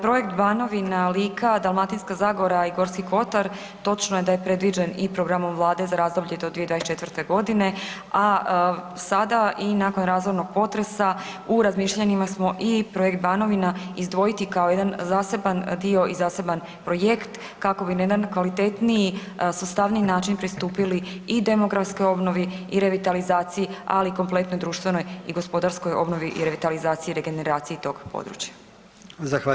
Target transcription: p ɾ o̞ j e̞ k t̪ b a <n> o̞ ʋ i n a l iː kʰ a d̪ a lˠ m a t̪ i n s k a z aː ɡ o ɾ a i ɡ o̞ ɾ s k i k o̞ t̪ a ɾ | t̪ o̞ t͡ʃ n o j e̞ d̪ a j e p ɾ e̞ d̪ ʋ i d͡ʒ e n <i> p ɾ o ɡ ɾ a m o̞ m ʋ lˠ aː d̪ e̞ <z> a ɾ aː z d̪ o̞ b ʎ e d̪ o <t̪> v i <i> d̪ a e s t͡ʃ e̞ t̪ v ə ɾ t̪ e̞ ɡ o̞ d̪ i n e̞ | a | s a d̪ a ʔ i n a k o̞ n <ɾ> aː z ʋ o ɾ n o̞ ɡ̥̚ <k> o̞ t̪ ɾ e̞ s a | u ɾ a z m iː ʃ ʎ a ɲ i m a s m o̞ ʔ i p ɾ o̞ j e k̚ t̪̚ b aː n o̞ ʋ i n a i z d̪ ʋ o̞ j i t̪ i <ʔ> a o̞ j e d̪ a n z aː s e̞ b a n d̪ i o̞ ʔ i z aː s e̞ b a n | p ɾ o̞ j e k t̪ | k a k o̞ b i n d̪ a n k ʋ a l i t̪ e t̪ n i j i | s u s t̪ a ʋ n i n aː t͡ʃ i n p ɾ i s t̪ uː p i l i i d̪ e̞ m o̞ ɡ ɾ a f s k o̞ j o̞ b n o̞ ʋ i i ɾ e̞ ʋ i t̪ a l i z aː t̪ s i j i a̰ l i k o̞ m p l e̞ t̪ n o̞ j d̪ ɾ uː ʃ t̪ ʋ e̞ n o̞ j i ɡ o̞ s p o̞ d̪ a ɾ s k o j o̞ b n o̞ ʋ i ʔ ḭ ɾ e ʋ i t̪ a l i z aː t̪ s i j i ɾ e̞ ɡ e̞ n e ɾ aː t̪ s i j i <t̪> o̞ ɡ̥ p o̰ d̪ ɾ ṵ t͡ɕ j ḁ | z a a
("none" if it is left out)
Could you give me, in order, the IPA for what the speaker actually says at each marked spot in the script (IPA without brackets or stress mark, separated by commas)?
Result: n, i, z, d̪, e, ɾ, p, k, t̪